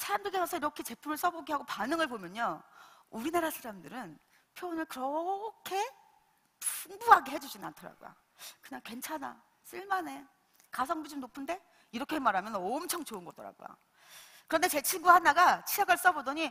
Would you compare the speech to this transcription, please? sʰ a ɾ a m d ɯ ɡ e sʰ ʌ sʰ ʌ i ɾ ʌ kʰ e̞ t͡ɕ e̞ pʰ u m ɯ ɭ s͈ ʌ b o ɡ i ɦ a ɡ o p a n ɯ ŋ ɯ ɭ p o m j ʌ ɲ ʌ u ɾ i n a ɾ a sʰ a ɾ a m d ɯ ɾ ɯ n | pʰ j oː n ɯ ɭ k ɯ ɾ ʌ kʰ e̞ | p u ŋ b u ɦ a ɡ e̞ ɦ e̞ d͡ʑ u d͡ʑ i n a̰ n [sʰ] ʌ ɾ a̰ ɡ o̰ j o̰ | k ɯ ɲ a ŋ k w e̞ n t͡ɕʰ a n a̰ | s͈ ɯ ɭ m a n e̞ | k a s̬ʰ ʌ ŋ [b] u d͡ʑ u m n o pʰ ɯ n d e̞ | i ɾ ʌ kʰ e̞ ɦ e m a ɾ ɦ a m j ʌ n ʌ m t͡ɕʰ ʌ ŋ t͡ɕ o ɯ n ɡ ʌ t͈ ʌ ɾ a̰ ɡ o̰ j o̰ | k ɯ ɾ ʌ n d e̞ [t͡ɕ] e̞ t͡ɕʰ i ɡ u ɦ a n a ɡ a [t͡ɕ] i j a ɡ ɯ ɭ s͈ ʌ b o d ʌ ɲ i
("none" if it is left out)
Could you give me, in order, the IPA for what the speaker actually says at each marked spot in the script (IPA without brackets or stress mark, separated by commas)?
tʰ, b, t͡ɕ, t͡ɕʰ